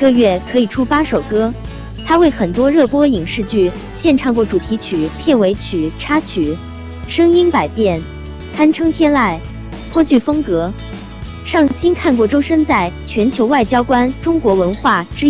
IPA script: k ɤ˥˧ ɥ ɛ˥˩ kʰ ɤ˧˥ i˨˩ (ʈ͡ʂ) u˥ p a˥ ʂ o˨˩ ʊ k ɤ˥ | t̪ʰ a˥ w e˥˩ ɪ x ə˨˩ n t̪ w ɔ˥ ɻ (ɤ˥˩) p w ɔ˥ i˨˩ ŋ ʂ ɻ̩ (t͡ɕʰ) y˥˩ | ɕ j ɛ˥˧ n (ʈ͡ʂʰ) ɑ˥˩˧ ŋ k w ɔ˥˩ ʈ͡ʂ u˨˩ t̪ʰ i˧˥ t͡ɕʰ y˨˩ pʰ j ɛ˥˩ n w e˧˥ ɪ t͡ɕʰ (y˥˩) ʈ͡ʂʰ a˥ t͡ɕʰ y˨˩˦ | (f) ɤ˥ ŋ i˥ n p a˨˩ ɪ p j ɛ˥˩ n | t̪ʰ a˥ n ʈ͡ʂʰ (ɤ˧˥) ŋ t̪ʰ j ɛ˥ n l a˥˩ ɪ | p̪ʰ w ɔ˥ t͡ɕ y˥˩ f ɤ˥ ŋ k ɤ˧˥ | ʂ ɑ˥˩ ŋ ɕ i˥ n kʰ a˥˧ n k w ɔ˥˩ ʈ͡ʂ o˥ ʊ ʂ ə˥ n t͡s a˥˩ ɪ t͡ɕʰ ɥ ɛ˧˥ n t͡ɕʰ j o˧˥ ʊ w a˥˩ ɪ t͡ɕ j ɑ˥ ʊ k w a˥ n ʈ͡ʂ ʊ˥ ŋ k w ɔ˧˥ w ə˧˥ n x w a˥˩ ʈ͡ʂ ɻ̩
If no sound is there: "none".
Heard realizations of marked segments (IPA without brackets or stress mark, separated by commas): ʈ͡ʂʰ, ɤ˥˩, t͡ɕ, ʈ͡ʂʰ, y˨˩, ʂ, ɤ˥